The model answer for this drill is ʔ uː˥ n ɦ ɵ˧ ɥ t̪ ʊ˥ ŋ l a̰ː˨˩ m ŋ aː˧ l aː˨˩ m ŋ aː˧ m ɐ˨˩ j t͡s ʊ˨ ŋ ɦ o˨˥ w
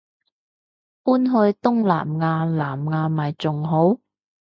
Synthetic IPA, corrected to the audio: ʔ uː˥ n ɦ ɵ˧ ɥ t̪ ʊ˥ ŋ l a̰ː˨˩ m ŋ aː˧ l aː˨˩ m ŋ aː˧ m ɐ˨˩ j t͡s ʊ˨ ŋ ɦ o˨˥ w